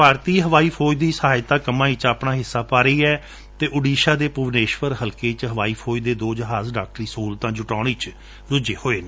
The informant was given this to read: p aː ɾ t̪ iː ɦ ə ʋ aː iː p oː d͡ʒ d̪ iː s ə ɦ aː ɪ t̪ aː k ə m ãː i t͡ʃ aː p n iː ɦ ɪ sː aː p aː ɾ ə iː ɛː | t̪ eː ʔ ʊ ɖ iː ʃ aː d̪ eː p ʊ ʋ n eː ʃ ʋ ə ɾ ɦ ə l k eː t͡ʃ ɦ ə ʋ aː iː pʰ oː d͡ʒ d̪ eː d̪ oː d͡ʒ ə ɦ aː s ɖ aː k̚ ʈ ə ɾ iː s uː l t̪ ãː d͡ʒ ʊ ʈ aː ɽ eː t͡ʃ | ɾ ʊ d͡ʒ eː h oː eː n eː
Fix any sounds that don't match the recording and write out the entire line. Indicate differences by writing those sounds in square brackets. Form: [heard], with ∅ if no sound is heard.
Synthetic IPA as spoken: p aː ɾ t̪ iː ɦ ə ʋ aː iː [pʰ] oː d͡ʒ d̪ iː s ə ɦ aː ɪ t̪ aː k ə m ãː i t͡ʃ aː p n [aː] ɦ ɪ sː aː p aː ɾ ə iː ɛː | t̪ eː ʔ ʊ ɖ iː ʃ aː d̪ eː p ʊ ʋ n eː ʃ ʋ ə ɾ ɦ ə l k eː t͡ʃ ɦ ə ʋ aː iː pʰ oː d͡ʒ d̪ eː d̪ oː d͡ʒ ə ɦ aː [z] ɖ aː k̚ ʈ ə ɾ iː s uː l t̪ ãː d͡ʒ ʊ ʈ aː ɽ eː t͡ʃ | ɾ ʊ d͡ʒ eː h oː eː n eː